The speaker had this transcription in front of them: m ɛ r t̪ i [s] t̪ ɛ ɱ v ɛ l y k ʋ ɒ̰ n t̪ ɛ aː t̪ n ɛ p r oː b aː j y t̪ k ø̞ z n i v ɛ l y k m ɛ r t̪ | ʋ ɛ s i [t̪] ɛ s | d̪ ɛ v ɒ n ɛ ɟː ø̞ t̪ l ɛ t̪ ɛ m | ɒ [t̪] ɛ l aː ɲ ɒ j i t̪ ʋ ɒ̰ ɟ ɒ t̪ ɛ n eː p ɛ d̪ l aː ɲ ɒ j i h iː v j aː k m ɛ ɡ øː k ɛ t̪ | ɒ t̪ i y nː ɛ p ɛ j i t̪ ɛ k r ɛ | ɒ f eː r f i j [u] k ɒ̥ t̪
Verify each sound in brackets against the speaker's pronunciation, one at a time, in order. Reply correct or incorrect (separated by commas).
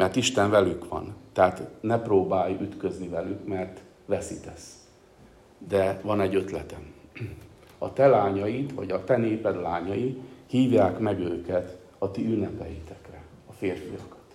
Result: incorrect, correct, correct, incorrect